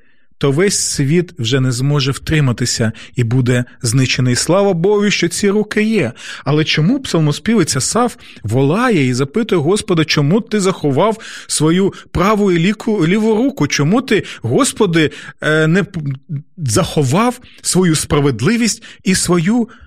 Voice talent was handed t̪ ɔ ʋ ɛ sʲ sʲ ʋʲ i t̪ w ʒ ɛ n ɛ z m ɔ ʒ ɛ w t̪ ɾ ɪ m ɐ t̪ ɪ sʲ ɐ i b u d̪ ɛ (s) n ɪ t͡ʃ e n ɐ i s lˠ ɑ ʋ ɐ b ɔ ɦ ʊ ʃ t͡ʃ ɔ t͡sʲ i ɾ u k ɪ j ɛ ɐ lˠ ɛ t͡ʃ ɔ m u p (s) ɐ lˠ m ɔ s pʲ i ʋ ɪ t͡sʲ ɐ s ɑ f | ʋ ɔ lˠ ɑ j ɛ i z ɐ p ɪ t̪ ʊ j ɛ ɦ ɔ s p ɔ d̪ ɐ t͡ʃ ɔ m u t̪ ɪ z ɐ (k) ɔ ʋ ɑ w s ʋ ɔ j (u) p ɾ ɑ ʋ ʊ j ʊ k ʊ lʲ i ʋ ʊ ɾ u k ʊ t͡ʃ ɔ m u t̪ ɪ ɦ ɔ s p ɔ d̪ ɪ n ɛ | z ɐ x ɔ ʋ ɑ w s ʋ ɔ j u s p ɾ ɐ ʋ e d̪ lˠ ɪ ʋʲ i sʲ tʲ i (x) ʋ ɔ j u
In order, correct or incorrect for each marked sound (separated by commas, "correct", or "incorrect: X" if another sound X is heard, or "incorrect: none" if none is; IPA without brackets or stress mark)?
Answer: incorrect: z, correct, incorrect: x, correct, incorrect: s